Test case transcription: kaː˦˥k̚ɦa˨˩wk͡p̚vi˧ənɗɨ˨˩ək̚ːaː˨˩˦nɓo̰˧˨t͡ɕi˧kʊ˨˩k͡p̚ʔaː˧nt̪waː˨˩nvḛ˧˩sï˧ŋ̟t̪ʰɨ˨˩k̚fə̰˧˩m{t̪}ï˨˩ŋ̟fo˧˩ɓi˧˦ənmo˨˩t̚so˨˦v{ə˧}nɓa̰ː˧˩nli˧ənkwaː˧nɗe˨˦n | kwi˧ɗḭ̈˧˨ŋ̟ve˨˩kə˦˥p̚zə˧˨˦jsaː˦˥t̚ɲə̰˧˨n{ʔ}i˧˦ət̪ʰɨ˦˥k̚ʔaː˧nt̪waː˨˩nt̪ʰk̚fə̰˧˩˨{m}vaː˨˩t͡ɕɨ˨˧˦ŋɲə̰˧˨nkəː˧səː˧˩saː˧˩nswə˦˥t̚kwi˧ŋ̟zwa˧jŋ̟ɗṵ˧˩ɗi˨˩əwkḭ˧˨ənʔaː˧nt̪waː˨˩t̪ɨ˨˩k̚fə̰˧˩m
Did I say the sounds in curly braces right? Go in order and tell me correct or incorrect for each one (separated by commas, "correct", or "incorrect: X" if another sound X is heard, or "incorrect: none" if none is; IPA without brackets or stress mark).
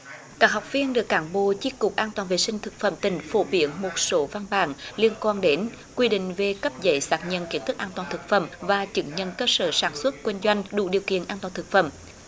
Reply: correct, incorrect: a˧, incorrect: k, correct